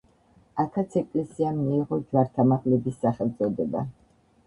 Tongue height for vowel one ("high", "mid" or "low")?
low